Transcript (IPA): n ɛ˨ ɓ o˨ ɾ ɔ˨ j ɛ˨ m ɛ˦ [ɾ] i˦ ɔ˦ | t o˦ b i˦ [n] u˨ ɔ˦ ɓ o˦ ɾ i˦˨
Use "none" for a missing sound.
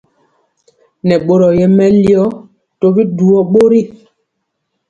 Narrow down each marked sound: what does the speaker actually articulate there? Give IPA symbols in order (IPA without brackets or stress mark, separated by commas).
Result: l, d